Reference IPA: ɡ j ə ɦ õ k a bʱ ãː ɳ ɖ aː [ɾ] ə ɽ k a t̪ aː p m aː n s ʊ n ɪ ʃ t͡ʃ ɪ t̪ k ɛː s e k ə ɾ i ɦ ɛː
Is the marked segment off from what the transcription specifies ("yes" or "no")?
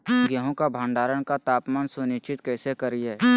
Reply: no